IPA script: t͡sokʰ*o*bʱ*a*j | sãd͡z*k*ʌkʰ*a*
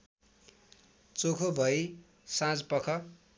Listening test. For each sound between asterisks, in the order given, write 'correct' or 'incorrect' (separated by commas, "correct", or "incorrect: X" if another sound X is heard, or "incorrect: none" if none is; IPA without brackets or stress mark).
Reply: correct, incorrect: ʌ, incorrect: p, incorrect: ʌ